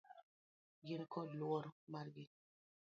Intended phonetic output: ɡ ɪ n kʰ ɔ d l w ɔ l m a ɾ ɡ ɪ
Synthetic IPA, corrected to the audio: ɡ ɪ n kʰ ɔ d l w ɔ ɾ m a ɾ ɡ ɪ